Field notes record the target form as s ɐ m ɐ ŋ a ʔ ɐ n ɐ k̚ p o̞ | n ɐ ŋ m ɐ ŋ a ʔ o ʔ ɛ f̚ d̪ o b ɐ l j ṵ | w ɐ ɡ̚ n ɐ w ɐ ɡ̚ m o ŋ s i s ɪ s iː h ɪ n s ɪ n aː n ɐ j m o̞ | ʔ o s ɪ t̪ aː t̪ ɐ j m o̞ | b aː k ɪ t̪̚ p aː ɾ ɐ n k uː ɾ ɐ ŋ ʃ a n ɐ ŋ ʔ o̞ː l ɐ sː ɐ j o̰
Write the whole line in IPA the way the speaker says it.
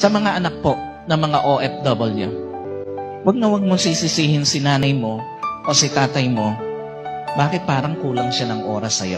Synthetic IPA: s ɐ m ɐ ŋ a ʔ ɐ n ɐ k̚ p o̞ | n ɐ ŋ m ɐ ŋ a ʔ o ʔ ɛ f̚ d̪ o b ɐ l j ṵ | w ɐ ɡ̚ n ɐ w ɐ ɡ̚ m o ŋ s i s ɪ s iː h ɪ n s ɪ n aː n ɐ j m o̞ | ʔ o s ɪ t̪ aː t̪ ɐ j m o̞ | b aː k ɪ t̪̚ p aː ɾ ɐ ŋ k uː l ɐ ŋ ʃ a n ɐ ŋ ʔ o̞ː ɾ ɐ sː ɐ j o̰